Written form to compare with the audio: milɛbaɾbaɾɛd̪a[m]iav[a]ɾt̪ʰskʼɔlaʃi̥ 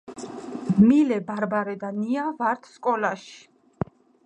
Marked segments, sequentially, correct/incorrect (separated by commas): incorrect, correct